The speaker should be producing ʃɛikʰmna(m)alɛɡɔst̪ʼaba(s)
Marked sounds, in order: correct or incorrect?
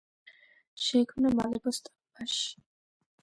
correct, incorrect

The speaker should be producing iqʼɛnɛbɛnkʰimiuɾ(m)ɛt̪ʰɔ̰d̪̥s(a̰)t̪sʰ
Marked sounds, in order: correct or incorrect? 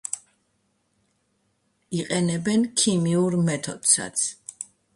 correct, correct

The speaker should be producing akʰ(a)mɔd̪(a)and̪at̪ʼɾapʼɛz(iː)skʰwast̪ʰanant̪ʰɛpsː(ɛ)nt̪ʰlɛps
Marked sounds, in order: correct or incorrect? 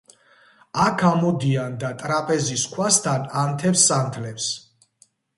correct, incorrect, incorrect, incorrect

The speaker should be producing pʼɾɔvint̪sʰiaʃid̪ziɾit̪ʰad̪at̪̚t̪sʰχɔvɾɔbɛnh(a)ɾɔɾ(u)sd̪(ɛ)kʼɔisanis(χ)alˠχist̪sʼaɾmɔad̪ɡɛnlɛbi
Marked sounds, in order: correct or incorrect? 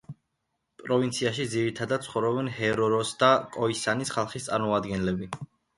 incorrect, incorrect, incorrect, correct

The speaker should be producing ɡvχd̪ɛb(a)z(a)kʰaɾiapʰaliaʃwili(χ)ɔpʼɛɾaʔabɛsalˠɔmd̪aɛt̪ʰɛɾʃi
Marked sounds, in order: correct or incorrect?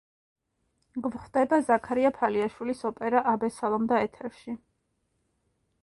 correct, correct, incorrect

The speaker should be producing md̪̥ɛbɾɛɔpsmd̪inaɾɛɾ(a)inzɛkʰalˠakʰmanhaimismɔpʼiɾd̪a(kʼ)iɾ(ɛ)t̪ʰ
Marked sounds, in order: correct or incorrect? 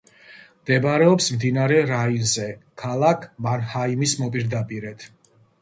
correct, incorrect, correct

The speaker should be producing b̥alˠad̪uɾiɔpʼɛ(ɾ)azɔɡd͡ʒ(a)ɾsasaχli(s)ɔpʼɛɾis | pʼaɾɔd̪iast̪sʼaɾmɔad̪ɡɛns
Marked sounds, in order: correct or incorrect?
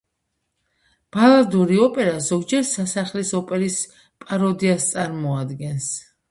correct, incorrect, correct

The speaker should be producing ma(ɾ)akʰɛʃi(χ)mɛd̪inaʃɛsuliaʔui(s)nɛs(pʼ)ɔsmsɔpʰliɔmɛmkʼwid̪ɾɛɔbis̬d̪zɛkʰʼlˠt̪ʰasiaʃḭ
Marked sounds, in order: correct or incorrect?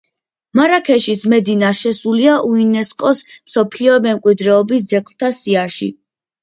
correct, incorrect, incorrect, incorrect

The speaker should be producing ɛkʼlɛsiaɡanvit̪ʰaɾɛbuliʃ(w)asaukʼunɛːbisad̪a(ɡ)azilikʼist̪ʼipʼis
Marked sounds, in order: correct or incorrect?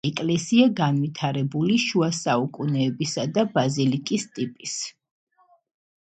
incorrect, incorrect

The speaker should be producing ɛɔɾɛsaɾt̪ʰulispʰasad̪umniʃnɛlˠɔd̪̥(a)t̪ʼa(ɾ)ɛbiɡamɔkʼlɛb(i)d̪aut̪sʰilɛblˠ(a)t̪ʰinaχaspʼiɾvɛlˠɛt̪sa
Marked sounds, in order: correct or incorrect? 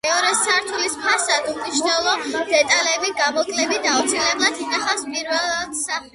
incorrect, incorrect, correct, correct

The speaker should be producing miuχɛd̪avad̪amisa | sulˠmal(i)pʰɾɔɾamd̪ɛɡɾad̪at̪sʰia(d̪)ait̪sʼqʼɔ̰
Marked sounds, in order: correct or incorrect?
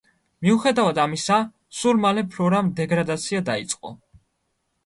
incorrect, correct

